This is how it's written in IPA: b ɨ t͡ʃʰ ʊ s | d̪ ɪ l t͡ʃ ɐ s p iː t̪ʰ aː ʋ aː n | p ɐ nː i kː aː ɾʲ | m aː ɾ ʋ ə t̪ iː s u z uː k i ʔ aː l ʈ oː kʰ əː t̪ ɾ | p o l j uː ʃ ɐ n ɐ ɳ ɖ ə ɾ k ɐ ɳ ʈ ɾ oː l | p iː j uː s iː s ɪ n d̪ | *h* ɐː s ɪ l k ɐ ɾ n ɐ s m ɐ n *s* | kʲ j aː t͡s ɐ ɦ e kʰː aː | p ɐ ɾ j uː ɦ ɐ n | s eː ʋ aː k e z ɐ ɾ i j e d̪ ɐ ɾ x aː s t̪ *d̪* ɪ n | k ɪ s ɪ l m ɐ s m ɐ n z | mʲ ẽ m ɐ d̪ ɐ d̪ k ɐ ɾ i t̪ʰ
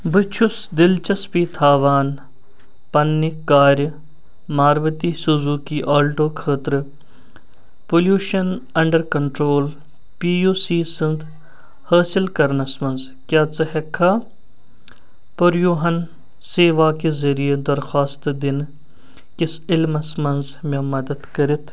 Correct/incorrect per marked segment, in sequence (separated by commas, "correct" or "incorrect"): correct, incorrect, correct